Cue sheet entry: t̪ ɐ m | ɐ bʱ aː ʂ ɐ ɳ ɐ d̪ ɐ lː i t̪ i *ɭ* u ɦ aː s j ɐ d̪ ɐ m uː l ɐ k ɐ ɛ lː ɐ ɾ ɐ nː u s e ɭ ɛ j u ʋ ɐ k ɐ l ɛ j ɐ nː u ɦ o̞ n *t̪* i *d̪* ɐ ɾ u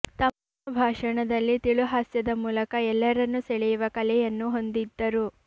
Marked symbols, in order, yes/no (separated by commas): yes, no, no